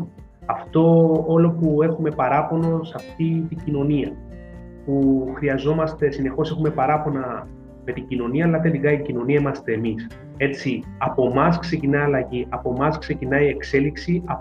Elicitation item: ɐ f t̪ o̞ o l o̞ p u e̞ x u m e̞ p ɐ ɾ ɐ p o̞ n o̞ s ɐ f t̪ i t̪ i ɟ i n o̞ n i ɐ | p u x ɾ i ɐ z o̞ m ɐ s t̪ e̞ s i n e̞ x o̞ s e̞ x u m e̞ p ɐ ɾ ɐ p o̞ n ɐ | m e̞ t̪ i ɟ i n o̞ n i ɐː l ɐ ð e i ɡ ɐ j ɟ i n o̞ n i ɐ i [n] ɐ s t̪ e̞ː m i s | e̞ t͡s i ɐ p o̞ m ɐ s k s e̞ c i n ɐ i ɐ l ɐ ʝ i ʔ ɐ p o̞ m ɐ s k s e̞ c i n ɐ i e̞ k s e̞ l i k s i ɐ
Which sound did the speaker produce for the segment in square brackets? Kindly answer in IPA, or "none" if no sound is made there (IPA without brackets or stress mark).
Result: m